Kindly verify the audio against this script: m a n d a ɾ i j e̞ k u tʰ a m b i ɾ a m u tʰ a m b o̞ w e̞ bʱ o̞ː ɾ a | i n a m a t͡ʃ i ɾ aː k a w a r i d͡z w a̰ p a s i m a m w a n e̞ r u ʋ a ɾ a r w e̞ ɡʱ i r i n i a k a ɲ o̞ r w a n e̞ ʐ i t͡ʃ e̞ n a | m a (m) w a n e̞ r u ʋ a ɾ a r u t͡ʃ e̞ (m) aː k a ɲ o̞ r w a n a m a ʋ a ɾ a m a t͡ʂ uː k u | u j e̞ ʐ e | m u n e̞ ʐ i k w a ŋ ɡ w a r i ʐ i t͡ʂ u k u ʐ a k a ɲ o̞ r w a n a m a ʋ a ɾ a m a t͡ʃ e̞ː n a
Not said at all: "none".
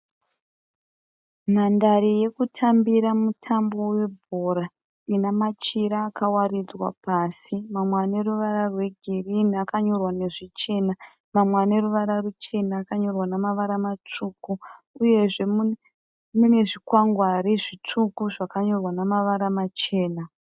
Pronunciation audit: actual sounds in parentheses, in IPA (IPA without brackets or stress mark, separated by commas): m, n